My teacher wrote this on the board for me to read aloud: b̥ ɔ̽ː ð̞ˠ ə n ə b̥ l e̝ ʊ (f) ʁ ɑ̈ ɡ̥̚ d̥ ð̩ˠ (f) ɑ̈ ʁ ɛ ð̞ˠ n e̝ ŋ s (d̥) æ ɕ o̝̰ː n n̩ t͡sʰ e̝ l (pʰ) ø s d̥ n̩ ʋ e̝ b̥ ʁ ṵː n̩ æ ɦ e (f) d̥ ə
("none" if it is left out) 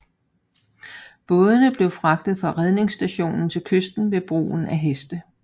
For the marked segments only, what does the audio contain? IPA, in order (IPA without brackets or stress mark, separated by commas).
f, f, d̥, kʰ, s